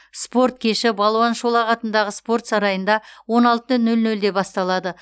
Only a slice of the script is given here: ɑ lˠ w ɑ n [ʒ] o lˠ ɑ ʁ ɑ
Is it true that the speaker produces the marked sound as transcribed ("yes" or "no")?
no